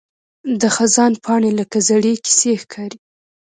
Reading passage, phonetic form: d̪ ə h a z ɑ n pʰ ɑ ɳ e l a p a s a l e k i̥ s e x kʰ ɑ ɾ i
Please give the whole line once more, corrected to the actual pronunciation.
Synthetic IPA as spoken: d̪ ə x a z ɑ n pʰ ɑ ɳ e l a k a z a ɽ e k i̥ s e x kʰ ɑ ɾ i